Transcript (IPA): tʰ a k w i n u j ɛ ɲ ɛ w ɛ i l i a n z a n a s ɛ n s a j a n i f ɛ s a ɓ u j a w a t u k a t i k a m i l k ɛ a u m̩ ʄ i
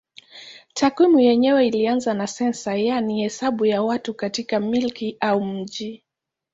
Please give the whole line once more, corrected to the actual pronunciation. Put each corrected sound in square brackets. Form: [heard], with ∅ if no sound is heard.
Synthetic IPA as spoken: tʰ a k w i [m] u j ɛ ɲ ɛ w ɛ i l i a n z a n a s ɛ n s a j a n i [h] ɛ s a ɓ u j a w a t u k a t i k a m i l k [i] a u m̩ ʄ i